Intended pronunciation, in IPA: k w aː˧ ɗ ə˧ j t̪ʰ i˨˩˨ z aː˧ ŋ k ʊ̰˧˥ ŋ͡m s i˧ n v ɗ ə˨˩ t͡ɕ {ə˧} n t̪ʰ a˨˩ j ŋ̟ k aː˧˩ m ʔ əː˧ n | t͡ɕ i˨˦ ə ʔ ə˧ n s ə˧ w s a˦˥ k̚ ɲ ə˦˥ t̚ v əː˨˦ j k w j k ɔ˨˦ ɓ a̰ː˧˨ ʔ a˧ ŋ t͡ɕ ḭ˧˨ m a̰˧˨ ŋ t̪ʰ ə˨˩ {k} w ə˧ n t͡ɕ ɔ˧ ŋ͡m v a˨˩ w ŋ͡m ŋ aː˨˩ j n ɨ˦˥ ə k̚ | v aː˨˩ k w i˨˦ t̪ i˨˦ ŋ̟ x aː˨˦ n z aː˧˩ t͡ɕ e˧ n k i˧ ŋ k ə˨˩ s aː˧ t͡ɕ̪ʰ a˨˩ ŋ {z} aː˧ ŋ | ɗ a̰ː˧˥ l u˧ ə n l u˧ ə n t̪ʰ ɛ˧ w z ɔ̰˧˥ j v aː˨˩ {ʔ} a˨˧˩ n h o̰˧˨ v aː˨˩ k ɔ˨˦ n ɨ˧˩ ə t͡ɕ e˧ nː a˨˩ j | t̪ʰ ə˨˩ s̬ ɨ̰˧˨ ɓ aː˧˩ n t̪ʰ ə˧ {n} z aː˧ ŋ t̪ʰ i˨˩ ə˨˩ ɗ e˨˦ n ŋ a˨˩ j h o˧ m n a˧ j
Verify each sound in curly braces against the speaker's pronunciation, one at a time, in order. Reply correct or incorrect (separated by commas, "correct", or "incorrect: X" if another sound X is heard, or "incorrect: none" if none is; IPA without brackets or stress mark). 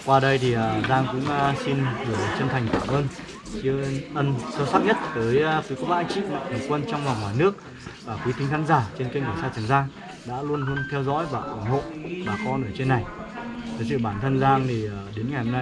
correct, correct, correct, correct, correct